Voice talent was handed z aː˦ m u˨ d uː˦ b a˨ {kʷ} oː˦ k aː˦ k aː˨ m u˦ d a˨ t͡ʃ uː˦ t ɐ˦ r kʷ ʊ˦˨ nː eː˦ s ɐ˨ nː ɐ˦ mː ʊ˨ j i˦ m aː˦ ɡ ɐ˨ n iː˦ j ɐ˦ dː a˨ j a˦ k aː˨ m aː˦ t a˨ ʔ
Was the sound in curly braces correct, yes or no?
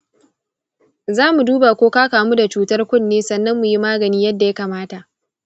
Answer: yes